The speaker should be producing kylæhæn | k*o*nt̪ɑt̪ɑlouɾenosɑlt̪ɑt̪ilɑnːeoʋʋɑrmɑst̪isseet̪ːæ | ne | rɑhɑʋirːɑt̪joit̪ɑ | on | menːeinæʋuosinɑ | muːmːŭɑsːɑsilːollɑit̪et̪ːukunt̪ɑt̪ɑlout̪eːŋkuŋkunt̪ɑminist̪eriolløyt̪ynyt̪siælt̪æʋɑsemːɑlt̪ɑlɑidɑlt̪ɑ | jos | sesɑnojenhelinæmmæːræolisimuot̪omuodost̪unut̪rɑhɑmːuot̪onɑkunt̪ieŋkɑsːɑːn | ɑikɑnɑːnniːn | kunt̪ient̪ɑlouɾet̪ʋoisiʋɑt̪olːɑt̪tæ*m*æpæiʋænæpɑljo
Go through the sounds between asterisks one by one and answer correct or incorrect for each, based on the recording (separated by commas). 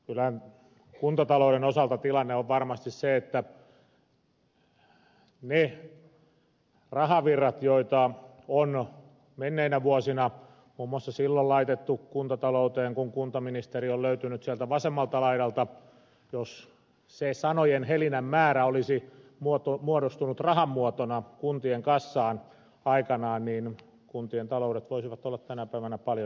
incorrect, incorrect